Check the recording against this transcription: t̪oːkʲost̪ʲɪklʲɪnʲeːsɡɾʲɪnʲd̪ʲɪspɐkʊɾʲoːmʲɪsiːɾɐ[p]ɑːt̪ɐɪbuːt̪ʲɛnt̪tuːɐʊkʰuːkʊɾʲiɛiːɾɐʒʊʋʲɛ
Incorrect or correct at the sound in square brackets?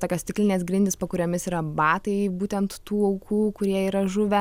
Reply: incorrect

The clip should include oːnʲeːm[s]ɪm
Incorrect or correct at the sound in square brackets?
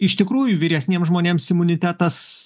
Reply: correct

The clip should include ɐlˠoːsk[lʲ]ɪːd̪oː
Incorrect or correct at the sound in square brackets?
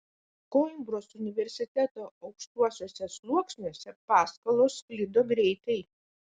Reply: correct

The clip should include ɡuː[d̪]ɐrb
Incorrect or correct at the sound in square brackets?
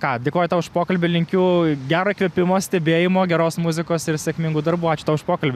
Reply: correct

